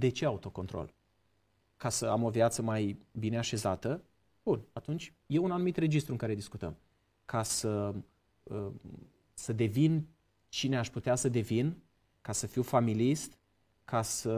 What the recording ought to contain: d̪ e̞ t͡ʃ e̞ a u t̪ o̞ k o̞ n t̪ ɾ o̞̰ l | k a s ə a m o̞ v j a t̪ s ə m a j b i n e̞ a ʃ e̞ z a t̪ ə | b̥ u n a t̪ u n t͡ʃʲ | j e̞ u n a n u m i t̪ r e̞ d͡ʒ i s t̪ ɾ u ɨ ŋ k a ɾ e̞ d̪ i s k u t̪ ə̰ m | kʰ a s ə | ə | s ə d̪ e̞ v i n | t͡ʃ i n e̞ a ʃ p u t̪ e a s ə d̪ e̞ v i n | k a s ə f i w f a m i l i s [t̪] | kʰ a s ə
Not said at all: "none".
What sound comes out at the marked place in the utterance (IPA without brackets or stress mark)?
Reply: t̪